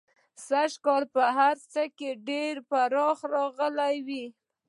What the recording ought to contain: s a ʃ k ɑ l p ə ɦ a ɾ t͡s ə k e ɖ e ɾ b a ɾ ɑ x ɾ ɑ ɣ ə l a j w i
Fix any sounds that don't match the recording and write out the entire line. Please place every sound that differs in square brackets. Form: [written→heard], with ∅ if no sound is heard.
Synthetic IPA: s a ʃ k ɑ l p ə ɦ a ɾ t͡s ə k e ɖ e ɾ [b→p] a ɾ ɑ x ɾ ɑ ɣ ə l a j w i